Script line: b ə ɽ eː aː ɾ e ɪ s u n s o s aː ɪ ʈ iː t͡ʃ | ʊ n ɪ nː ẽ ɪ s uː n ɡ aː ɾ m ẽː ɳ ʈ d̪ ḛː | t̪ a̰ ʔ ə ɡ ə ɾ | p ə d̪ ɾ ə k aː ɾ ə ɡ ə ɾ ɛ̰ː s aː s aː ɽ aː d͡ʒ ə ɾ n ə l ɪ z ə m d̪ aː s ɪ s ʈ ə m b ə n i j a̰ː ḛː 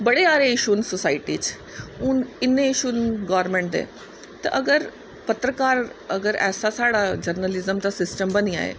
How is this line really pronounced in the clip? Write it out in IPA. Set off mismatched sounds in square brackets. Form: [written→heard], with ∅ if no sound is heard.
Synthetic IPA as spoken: b ə ɽ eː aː ɾ e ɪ [s→ʃ] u n s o s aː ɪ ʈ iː t͡ʃ | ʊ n ɪ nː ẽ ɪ [s→ʃ] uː n ɡ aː ɾ m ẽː ɳ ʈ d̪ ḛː | t̪ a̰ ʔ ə ɡ ə ɾ | p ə [d̪→t̪] ɾ ə k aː ɾ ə ɡ ə ɾ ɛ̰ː s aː s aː ɽ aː d͡ʒ ə ɾ n ə l ɪ z ə m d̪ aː s ɪ s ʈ ə m b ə n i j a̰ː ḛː